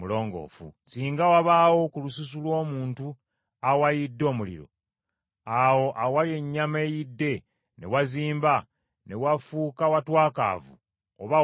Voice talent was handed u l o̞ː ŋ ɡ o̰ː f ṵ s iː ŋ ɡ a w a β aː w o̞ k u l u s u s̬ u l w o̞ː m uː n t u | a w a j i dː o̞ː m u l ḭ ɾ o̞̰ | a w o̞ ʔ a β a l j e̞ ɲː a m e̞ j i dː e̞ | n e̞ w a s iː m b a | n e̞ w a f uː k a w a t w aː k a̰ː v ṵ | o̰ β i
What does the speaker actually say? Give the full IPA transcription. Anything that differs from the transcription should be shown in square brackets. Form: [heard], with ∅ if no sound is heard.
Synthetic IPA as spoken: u l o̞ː ŋ ɡ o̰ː f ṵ s iː ŋ ɡ a w a β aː w o̞ k u l u s u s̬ u l w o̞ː m uː n t u | a w a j i dː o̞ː m u l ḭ ɾ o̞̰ | a w o̞ ʔ a [w] a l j e̞ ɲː a m e̞ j i dː e̞ | n e̞ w a [z] iː m b a | n e̞ w a f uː k a w a t w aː k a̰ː v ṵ | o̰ β [a]